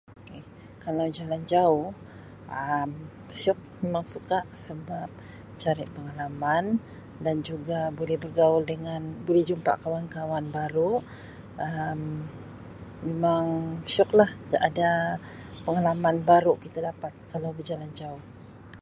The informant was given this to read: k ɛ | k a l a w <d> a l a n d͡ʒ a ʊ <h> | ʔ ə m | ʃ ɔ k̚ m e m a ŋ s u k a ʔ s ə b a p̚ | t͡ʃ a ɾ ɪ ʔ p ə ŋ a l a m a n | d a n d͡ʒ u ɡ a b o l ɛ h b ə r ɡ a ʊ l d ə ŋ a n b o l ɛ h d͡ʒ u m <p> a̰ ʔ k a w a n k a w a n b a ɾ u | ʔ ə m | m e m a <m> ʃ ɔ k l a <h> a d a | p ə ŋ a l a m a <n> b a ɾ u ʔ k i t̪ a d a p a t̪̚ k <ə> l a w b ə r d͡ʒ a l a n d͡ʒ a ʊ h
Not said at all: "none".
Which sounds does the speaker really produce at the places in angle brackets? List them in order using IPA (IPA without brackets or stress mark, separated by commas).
d͡ʒ, h, p, ŋ, h, n, a